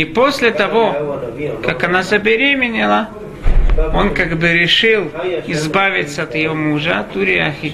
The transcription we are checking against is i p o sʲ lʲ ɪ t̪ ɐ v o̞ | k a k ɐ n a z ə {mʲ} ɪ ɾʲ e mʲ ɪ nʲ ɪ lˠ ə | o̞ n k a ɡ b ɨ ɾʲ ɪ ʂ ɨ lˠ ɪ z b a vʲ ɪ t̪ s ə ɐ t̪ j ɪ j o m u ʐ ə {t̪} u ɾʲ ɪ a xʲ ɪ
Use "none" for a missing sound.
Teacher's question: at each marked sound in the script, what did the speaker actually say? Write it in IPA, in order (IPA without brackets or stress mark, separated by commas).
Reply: bʲ, t̪